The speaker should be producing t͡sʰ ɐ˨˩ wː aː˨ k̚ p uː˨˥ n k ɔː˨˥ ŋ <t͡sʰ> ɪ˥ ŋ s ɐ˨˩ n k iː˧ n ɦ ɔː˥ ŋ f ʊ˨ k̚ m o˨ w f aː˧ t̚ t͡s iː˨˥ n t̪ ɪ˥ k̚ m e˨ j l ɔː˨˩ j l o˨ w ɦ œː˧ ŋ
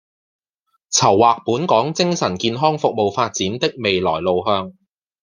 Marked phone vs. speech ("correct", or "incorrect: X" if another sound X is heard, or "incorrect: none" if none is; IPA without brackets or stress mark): incorrect: t͡s